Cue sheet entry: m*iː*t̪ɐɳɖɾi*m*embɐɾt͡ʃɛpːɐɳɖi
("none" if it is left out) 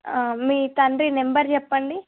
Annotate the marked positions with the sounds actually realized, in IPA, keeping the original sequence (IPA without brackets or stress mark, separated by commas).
iː, n